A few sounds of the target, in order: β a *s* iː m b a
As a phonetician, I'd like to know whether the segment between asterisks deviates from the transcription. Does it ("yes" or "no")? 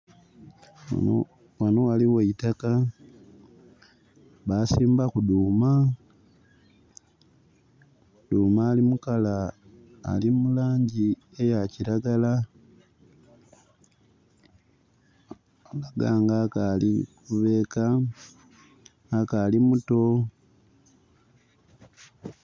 no